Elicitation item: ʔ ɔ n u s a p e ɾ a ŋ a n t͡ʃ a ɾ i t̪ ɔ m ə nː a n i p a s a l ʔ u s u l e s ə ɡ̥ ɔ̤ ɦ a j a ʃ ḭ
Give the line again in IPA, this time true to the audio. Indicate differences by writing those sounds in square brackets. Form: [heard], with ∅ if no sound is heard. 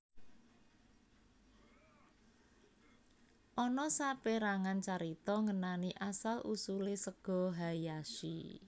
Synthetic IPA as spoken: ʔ ɔ n [ɔ] s a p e ɾ a ŋ a n t͡ʃ a ɾ i t̪ ɔ [ŋ] ə [n] a n i [ʔ] a s a l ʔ u s u l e s ə ɡ̥ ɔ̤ ɦ a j a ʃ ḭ